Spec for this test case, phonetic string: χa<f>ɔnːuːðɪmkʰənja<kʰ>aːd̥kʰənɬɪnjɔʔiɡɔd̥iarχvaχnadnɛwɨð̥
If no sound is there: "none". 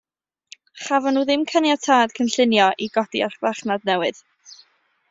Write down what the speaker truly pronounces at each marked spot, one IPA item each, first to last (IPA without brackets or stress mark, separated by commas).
v, tʰ